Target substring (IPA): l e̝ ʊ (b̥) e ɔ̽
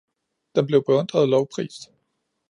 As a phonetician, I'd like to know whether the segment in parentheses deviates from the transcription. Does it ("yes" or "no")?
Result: no